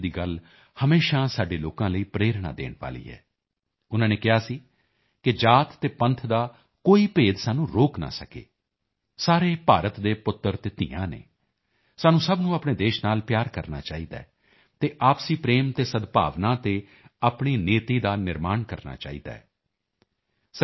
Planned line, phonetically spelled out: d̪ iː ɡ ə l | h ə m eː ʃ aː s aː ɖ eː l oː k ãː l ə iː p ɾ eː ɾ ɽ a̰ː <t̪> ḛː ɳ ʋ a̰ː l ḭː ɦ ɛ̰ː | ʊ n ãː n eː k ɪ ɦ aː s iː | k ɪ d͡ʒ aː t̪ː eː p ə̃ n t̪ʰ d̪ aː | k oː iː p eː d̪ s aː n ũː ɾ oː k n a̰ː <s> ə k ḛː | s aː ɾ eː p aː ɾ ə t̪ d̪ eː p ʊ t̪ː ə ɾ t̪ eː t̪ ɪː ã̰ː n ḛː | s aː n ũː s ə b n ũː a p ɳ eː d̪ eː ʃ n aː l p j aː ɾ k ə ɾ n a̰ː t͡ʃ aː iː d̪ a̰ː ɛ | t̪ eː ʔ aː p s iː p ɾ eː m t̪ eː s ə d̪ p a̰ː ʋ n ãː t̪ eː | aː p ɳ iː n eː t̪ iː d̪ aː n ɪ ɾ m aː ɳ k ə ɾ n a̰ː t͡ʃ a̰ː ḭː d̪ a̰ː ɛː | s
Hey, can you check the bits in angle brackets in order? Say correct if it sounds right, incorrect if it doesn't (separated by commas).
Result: incorrect, correct